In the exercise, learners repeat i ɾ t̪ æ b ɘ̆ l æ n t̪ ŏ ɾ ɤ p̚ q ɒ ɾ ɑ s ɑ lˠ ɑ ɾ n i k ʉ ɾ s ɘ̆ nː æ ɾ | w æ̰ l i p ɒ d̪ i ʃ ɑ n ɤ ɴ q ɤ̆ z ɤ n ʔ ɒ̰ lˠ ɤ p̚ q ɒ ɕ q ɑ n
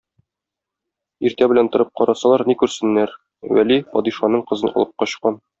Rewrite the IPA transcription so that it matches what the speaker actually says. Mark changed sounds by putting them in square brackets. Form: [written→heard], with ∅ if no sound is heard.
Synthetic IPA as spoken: i ɾ t̪ æ b ɘ̆ l æ n t̪ ŏ ɾ ɤ p̚ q ɒ ɾ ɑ s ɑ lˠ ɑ ɾ n i k ʉ ɾ s ɘ̆ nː æ ɾ | w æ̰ l i p ɒ d̪ i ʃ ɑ n ɤ ɴ q ɤ̆ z ɤ n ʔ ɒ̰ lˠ ɤ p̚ q ɒ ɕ q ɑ n